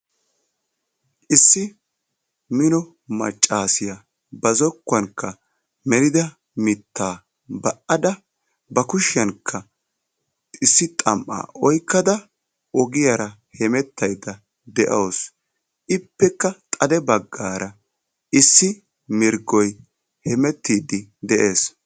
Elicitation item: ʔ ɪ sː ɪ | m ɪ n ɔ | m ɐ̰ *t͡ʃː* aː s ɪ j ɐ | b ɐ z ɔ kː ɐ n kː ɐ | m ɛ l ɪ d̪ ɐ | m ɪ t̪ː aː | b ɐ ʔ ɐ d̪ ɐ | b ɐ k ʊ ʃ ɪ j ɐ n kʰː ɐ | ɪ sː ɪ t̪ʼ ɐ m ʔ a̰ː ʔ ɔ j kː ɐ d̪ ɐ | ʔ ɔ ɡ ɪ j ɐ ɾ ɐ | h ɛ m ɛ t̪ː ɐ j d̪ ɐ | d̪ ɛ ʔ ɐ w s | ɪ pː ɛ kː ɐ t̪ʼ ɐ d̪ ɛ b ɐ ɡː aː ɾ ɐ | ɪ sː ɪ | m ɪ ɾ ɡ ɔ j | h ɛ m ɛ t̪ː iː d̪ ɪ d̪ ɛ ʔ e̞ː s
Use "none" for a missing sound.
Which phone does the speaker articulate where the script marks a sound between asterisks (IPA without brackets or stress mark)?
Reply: t͡ʃʼː